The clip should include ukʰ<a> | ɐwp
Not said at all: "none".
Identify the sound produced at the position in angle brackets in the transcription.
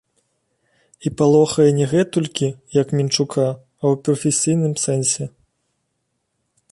a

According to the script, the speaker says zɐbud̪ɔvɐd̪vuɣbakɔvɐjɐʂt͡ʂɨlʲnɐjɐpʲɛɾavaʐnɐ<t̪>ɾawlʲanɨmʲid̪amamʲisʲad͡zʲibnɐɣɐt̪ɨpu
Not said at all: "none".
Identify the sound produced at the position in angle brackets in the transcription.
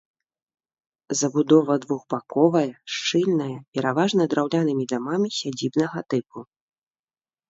d̪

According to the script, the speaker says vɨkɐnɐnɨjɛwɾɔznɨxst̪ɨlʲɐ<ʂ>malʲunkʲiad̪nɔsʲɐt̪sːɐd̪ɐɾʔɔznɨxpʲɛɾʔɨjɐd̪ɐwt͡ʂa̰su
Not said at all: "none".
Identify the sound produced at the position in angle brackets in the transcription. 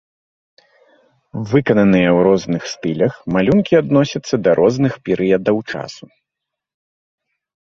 x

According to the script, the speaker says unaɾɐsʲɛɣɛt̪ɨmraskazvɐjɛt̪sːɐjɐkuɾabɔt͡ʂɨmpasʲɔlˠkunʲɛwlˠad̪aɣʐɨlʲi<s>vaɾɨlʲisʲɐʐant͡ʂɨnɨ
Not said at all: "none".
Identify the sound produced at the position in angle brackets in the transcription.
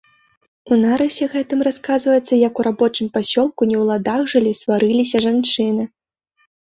s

